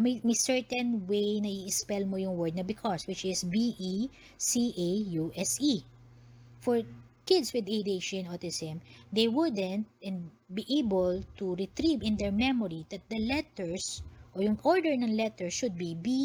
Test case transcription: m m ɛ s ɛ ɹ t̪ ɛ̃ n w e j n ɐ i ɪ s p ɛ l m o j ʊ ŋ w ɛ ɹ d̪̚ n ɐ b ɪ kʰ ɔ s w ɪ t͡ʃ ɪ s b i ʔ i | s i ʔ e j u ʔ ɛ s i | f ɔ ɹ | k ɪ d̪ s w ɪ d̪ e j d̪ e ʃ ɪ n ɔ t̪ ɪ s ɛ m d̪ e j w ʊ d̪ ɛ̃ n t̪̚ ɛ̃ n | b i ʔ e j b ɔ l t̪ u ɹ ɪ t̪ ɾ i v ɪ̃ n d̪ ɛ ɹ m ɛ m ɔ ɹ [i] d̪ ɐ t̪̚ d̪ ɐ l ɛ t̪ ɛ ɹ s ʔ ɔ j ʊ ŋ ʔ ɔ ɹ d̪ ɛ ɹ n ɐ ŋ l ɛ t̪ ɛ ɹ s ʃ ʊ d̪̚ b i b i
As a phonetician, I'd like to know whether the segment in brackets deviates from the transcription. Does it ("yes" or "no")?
no